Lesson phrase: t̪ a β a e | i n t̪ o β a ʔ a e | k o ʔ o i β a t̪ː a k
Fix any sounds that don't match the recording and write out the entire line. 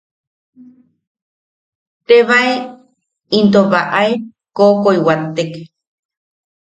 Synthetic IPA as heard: t̪ e β a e | i n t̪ o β a ʔ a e | k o k o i w a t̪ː e k